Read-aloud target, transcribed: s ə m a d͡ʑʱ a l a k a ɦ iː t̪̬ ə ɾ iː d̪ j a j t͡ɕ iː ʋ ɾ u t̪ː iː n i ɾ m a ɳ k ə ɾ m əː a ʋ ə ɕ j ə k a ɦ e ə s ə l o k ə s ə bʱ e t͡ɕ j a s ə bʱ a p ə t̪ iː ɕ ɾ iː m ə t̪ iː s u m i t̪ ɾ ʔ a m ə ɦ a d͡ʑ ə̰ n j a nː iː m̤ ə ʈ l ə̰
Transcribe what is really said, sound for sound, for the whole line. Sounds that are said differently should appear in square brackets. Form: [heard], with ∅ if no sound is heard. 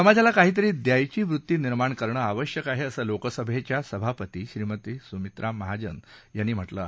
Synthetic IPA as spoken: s ə m a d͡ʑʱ a l a k a ɦ iː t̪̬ ə ɾ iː d̪ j a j t͡ɕ iː ʋ ɾ u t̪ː iː n i ɾ m a ɳ k ə ɾ [ɳ] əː a ʋ ə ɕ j ə k a ɦ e ə s ə l o k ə s ə bʱ e t͡ɕ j a s ə bʱ a p ə t̪ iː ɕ ɾ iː m ə t̪ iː s u m i t̪ ɾ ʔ a m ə ɦ a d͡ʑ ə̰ n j a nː iː m̤ ə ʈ l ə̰